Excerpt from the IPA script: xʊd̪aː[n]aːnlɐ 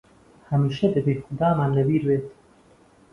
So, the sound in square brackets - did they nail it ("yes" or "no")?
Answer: no